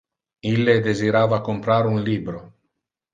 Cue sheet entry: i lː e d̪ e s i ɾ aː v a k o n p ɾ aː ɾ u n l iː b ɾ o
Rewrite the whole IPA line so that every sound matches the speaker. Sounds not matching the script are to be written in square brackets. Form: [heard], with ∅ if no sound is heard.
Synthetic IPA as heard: i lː e d̪ e [z] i ɾ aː v a k o [m] p ɾ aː ɾ u n l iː b ɾ o